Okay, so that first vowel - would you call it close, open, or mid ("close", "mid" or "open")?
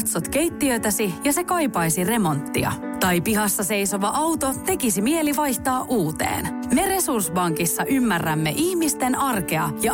mid